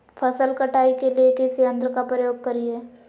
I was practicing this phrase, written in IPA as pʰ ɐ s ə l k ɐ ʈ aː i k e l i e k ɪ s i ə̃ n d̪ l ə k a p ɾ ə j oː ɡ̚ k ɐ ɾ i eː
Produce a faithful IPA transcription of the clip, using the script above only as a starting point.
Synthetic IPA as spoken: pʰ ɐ s ə l k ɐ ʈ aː i k e l i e k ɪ s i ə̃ n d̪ ɾ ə k a p ɾ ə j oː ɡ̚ k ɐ ɾ i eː